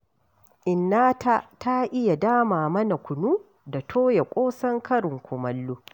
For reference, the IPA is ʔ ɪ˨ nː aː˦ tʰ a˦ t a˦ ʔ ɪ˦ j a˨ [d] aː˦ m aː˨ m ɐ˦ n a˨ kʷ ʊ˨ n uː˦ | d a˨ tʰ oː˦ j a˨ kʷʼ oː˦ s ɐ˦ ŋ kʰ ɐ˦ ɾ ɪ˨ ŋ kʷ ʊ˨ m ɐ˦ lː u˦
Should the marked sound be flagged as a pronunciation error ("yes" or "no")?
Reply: no